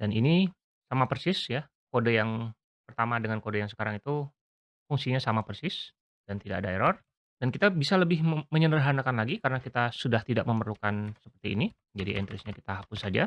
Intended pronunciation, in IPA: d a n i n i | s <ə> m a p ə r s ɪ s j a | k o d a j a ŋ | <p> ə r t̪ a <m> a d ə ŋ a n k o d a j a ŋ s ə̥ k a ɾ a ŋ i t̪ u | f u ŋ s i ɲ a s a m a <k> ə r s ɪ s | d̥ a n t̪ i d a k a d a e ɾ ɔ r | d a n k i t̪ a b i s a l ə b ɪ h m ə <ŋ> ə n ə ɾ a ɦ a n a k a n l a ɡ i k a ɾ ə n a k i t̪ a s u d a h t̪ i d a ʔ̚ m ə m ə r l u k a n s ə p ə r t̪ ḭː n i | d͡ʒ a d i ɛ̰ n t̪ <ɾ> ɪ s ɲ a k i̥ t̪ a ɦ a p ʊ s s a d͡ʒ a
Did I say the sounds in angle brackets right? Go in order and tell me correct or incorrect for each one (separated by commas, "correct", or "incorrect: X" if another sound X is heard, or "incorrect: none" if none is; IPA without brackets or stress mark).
incorrect: a, correct, correct, incorrect: p, incorrect: ɲ, correct